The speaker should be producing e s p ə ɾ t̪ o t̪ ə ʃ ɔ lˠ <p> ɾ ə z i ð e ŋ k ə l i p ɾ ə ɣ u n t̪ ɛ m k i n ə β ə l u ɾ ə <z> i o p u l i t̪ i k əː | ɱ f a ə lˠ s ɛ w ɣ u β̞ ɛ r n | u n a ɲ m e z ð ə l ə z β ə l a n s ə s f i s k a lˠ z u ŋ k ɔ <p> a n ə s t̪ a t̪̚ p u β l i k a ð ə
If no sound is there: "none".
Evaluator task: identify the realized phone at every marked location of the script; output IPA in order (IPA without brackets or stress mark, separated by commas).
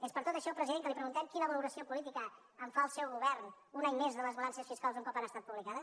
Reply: p, s, p